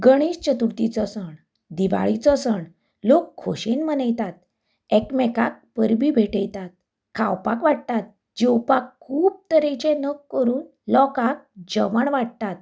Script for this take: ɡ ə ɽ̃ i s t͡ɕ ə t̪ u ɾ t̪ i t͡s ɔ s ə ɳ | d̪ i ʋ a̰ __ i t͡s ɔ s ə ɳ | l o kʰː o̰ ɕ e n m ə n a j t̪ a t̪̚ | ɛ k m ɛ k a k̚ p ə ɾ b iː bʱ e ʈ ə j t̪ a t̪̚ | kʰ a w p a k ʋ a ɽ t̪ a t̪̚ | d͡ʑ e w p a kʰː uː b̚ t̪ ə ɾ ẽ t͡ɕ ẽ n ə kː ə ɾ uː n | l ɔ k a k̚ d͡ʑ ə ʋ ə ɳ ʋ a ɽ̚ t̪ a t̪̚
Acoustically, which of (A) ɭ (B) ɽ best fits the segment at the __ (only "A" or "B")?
A